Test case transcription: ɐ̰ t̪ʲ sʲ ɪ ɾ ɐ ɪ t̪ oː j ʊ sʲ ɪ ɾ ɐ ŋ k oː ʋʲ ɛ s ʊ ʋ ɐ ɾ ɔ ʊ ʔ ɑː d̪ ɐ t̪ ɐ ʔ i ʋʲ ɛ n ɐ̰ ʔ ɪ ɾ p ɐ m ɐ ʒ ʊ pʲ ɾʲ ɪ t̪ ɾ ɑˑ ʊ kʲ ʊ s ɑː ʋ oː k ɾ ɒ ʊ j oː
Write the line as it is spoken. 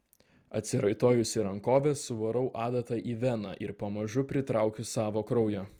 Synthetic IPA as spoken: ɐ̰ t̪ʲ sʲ ɪ ɾ ɐ ɪ t̪ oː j ʊ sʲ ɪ ɾ ɐ ŋ k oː ʋʲ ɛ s ʊ ʋ ɐ ɾ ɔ ʊ ʔ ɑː d̪ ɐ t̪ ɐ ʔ i ʋʲ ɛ n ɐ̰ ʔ ɪ ɾ p ɐ m ɐ ʒ ʊ pʲ ɾʲ ɪ t̪ ɾ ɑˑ ʊ kʲ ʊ s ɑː ʋ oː k ɾ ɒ ʊ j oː